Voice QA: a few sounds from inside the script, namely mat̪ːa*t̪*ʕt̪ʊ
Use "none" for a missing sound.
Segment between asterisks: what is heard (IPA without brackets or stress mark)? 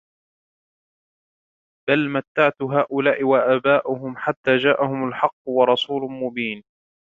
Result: none